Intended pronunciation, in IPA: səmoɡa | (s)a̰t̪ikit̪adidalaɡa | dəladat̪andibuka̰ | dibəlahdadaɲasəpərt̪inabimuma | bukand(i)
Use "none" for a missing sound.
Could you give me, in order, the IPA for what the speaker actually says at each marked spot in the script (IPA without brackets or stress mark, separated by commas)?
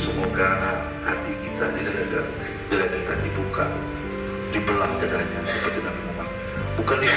h, i